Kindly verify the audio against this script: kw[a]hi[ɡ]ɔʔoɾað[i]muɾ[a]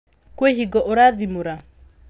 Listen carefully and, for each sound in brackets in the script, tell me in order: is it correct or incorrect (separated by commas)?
incorrect, correct, correct, correct